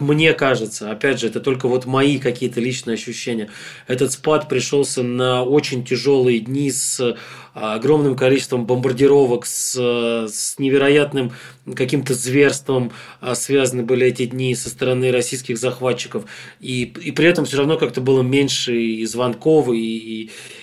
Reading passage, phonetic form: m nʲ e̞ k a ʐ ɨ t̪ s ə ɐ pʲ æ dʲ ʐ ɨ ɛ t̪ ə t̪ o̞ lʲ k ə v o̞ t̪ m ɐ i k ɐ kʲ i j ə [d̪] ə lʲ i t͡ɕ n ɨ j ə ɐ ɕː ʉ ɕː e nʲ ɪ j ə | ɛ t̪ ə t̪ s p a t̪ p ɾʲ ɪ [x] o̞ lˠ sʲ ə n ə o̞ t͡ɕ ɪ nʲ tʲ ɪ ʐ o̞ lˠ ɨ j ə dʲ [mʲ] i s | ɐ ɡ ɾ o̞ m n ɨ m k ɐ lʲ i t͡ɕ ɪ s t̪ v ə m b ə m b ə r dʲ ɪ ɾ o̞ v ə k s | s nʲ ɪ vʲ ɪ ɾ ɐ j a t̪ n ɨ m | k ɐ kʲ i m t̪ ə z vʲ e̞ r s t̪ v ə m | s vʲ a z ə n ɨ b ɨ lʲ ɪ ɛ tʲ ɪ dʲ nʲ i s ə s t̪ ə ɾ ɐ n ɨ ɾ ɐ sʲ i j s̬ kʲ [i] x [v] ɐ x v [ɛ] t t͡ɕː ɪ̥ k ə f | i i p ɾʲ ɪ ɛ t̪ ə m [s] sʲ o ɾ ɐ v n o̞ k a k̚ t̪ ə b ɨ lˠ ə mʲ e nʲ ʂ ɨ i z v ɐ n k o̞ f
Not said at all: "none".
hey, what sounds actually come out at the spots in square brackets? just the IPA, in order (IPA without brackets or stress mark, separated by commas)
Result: t̪, ʂ, nʲ, ɪ, z, a, f